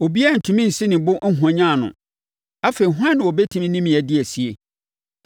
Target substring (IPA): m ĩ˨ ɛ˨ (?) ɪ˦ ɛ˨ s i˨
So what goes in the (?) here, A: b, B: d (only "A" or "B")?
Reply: B